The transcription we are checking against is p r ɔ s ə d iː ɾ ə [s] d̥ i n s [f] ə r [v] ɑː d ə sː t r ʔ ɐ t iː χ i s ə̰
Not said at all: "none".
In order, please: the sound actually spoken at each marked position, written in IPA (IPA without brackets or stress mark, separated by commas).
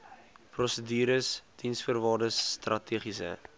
s, f, v